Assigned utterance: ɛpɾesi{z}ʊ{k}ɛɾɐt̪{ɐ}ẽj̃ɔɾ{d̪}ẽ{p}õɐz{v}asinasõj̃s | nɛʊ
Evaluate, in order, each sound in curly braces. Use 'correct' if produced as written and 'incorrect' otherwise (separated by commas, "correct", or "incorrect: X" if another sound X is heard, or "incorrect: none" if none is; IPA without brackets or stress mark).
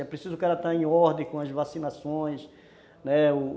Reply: correct, correct, incorrect: a, correct, incorrect: k, correct